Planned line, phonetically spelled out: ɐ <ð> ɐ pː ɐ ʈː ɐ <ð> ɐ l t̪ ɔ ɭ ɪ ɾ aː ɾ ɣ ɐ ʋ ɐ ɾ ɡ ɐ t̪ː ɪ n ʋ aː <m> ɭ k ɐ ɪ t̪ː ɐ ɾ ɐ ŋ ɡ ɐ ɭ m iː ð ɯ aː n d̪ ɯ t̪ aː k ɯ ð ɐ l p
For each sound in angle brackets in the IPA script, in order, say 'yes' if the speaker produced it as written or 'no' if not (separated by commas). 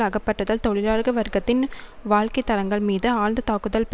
no, yes, no